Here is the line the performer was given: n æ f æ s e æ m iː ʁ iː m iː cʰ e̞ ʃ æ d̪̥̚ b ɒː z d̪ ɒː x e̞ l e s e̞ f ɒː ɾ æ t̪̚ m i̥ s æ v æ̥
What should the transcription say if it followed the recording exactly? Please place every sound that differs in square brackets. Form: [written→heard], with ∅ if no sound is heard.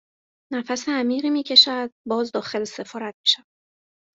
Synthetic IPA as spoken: n æ f æ s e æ m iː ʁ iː m iː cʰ e̞ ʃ æ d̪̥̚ b ɒː z d̪ ɒː x e̞ l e s e̞ f ɒː ɾ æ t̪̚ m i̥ [s→ʃ] æ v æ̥